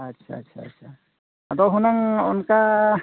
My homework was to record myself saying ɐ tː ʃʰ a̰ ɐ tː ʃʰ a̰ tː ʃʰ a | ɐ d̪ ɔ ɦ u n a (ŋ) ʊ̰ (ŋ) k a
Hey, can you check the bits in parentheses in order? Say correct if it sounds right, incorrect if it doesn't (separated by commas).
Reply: correct, incorrect